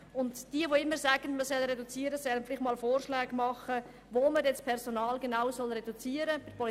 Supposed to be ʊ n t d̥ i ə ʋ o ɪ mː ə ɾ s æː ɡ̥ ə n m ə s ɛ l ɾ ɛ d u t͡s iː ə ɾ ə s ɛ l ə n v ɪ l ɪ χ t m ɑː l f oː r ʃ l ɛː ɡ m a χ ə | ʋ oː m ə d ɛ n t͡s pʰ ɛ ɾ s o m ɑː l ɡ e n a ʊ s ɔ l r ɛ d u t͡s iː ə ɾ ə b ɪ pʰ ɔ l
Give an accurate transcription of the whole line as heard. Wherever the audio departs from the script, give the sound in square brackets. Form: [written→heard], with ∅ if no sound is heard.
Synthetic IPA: ʊ n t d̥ i ə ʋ o ɪ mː ə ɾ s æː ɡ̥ ə n m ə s ɛ l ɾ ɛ d u t͡s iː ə ɾ ə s ɛ l ə n [v→f] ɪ l ɪ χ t m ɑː l f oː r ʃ l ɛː ɡ m [a→ɑ] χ ə | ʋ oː m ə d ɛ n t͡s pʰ ɛ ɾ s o [m→n] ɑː l ɡ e n a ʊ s ɔ l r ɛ d u t͡s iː ə ɾ ə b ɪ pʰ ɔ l